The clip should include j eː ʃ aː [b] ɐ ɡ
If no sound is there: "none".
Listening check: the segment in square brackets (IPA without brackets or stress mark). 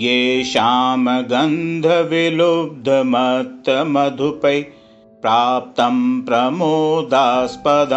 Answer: m